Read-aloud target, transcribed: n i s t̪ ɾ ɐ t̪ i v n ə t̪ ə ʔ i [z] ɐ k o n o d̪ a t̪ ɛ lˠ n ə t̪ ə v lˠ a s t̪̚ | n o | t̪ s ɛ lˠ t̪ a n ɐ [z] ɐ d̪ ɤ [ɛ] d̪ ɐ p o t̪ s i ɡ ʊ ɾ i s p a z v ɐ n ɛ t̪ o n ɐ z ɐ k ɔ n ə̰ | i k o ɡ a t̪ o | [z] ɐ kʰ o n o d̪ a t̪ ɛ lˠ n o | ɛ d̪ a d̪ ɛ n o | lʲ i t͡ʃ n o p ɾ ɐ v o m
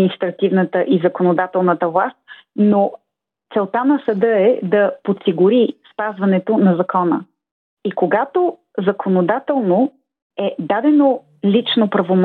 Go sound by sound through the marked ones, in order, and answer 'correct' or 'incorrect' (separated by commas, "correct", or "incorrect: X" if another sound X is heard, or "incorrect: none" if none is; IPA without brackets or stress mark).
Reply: correct, incorrect: s, correct, correct